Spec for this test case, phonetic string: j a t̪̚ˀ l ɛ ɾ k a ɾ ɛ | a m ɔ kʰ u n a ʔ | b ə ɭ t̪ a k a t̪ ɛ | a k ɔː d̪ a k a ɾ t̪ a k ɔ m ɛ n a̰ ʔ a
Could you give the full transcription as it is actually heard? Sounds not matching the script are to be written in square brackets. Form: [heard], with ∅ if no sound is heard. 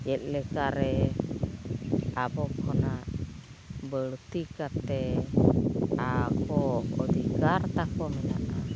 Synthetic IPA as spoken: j [ɛ] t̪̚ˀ l ɛ [∅] k a ɾ ɛ | a [b] ɔ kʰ [ɔ] n a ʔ | b ə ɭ t̪ [i] k a t̪ ɛ | a k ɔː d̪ [i] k a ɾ t̪ a k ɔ m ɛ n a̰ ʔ a